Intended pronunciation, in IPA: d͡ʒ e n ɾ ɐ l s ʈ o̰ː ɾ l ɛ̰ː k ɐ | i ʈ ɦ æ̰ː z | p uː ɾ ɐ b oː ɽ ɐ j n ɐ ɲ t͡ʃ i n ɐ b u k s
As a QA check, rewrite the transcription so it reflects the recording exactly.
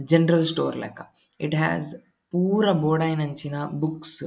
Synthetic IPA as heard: d͡ʒ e n ɾ ɐ l s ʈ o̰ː ɾ l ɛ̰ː k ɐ | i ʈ ɦ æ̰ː z | p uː ɾ ɐ b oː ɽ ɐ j n ɐ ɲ t͡ʃ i n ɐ b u k s